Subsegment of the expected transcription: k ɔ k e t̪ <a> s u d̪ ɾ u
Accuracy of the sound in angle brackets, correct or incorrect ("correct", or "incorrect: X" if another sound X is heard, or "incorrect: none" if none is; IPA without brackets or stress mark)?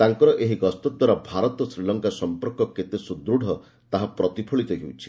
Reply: incorrect: e